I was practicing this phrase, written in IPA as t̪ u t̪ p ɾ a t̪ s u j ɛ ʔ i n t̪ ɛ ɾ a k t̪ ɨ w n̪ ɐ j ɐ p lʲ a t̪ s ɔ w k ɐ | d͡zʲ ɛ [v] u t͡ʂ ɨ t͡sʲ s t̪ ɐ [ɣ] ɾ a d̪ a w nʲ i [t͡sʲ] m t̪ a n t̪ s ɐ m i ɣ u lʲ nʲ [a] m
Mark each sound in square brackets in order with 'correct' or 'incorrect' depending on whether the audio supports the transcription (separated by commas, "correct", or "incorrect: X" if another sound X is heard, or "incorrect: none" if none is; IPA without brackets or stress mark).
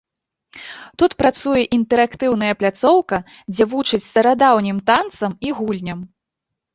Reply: correct, incorrect: none, incorrect: none, incorrect: ɐ